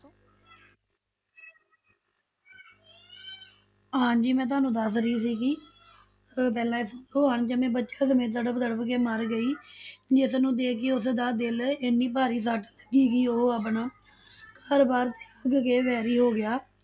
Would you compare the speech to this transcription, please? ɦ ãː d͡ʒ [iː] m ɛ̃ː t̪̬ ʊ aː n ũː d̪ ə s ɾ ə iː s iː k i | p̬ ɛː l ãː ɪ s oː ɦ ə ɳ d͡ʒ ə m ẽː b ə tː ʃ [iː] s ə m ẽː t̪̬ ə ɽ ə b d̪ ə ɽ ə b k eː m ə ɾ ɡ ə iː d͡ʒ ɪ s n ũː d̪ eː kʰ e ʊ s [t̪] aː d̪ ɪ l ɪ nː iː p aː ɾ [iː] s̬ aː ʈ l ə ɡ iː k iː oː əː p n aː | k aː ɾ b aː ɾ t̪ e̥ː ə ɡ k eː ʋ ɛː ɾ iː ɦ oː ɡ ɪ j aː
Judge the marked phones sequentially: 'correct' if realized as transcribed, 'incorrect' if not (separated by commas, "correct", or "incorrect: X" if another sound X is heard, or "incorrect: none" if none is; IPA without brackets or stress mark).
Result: correct, incorrect: aː, incorrect: d̪, correct